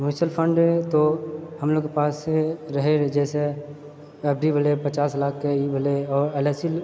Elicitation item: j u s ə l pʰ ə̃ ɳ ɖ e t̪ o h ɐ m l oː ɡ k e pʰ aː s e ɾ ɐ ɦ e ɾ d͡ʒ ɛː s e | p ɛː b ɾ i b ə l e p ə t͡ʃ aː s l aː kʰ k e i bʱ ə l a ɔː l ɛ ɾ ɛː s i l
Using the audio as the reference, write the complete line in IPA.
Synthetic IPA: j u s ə l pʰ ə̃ ɳ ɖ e t̪ o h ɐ m l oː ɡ k e p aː s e ɾ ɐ ɦ e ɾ d͡ʒ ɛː s e | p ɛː b ɾ i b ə l e p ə t͡ʃ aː s l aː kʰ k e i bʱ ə l e ɔː ɾ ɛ l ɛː s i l